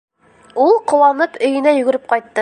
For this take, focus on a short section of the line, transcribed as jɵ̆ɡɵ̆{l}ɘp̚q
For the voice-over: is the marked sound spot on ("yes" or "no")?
no